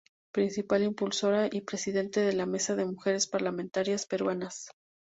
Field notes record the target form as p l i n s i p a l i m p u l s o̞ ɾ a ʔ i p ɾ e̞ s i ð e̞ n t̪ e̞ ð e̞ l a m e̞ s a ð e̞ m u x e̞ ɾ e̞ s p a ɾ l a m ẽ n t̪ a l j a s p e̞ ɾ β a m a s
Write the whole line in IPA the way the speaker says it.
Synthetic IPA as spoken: p ɾ i n s i p a l i m p u l s o̞ ɾ a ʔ i p ɾ e̞ s i ð e̞ n t̪ e̞ ð e̞ l a m e̞ s a ð e̞ m u x e̞ ɾ e̞ s p a ɾ l a m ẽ n t̪ a ɾ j a s p e̞ ɾ w a n a s

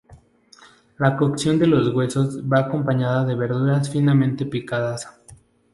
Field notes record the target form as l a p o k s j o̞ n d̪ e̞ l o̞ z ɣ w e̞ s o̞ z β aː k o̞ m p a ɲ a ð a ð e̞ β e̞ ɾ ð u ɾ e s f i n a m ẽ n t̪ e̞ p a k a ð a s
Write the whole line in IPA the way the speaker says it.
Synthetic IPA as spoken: l a k o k s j o̞ n d̪ e̞ l o̞ z ɣ w e̞ s o̞ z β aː k o̞ m p a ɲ a ð a ð e̞ β e̞ ɾ ð u ɾ a s f i n a m ẽ n t̪ e̞ p i k a ð a s

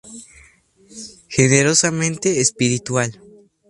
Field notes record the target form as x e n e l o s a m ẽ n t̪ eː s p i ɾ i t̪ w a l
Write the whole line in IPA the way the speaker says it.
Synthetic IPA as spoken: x e n e ɾ o s a m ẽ n t̪ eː s p i ɾ i t̪ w a l

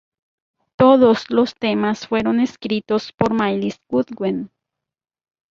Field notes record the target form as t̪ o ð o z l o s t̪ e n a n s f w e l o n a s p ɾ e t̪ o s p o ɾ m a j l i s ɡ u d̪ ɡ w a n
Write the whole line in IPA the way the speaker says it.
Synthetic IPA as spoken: t̪ o ð o s l o s t̪ e m a s f w e ɾ o n e s k ɾ i t̪ o s p o ɾ m a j l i s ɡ u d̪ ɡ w e n

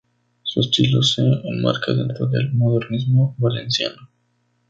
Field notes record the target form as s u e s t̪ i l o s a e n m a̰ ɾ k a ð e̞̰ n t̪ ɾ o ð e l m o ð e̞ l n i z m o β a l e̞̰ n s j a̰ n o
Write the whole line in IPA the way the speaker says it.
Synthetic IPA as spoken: s u e s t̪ i l o s e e n m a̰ ɾ k a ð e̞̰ n t̪ ɾ o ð e l m o ð e̞ ɾ n i z m o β a l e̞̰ n s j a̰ n o

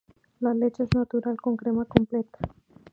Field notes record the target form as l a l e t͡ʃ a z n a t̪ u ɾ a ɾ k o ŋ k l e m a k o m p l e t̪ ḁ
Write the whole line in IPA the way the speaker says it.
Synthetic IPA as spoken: l a l e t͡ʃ e z n a t̪ u ɾ a l k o ŋ k ɾ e m a k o m p l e t̪ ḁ

